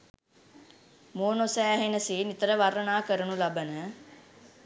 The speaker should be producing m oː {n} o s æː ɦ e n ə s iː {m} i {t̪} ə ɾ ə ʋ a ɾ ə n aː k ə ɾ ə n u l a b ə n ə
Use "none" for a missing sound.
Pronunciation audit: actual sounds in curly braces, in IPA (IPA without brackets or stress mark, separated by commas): n, n, t̪